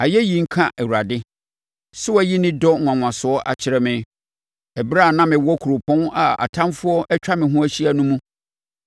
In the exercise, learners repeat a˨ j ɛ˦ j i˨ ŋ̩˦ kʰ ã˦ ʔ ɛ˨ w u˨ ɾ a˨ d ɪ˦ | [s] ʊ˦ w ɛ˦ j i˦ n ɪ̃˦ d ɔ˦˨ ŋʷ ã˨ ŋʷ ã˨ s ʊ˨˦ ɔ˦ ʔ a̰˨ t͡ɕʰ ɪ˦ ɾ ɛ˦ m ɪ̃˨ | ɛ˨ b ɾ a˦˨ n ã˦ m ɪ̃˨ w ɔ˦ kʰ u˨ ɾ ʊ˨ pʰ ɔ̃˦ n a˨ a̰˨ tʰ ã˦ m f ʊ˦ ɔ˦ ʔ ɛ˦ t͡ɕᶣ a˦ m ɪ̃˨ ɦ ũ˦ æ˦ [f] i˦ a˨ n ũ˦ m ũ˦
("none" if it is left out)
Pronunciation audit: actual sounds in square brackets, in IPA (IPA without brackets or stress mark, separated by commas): s, ɕ